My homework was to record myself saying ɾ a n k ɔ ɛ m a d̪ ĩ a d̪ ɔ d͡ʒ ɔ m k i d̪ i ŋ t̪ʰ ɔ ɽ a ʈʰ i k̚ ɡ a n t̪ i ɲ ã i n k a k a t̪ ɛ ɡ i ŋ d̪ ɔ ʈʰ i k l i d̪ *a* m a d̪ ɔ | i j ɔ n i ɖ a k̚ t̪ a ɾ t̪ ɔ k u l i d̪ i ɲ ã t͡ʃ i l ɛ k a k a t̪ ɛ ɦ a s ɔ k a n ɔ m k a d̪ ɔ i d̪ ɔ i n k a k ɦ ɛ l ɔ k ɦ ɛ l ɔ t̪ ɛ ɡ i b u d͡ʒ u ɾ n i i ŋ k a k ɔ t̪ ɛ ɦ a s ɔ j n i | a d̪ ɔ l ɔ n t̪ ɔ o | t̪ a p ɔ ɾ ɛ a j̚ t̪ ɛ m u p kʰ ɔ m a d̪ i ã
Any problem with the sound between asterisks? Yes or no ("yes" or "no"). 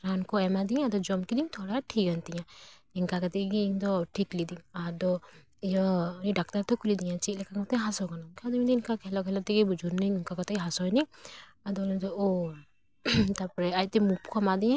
yes